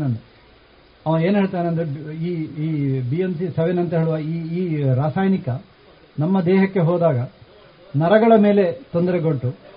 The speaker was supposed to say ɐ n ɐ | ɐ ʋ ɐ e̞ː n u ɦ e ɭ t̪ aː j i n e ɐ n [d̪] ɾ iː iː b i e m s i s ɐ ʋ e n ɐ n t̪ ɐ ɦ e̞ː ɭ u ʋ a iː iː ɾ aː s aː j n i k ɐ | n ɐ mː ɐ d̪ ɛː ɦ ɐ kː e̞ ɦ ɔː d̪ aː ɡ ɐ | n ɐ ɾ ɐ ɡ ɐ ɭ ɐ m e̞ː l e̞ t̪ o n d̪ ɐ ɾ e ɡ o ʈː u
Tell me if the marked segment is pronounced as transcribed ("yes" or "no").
yes